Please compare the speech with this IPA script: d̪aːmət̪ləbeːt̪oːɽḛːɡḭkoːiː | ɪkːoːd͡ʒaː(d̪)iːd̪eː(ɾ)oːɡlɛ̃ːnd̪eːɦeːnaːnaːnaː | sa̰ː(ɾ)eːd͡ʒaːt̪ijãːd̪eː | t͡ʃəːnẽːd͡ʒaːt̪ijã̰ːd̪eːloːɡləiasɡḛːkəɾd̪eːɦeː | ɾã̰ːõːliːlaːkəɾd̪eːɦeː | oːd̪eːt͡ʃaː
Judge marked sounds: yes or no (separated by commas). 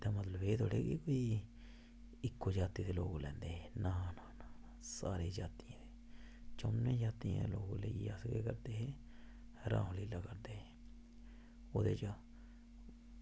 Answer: no, no, yes